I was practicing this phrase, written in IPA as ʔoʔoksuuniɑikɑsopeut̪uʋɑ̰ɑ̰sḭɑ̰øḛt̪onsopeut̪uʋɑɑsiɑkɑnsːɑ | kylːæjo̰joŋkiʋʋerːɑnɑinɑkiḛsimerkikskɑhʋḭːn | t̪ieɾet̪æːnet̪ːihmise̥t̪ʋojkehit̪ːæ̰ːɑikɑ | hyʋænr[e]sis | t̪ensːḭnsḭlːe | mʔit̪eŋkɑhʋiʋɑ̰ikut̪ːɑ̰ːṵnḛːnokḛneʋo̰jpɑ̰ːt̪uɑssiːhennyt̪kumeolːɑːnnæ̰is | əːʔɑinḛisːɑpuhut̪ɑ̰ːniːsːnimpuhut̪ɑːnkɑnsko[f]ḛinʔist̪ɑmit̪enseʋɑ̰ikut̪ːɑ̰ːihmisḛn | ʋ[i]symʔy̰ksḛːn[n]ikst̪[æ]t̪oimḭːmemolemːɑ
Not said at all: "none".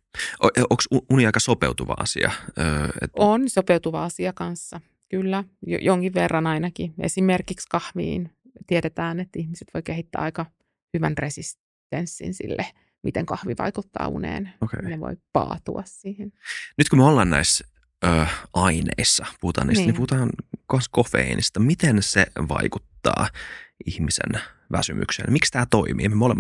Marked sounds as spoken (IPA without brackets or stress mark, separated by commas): e, f, æ, m, æː